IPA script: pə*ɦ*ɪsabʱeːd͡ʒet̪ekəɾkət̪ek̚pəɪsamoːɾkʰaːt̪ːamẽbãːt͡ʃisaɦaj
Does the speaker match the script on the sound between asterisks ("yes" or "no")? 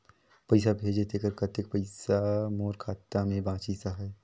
no